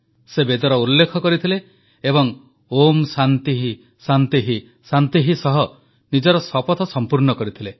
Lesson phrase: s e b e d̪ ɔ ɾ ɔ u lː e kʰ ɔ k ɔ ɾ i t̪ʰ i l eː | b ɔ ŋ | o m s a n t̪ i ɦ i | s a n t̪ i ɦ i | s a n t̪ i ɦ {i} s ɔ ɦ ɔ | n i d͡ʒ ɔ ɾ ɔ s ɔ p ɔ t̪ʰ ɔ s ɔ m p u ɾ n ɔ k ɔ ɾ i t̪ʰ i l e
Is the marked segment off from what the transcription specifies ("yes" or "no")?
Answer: no